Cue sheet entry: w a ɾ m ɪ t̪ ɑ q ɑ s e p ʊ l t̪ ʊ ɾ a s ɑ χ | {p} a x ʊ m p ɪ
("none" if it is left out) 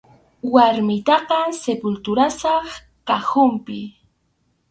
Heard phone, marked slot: k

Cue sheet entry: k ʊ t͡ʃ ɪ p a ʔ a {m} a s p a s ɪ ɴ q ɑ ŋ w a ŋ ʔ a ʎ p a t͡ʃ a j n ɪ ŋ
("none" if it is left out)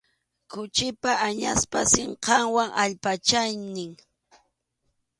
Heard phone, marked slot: ɲ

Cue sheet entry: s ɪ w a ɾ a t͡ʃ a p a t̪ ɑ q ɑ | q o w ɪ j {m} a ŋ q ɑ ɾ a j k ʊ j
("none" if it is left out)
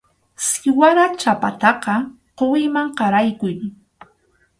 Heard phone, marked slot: m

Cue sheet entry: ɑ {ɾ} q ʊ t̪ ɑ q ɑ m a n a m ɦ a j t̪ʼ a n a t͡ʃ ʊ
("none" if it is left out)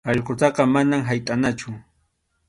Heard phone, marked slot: ʎ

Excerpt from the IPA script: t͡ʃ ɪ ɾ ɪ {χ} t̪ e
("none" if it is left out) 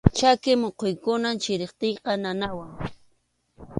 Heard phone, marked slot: χ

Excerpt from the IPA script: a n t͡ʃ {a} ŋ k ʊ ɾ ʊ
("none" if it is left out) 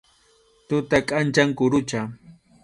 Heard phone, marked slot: a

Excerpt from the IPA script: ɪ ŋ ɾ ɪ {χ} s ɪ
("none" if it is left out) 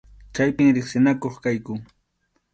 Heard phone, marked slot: χ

